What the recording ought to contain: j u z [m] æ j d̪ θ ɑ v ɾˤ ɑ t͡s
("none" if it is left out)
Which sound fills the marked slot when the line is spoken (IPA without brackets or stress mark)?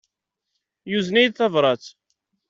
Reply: n